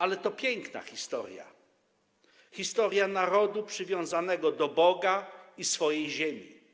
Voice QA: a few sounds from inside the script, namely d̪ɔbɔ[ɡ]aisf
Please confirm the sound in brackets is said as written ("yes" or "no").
yes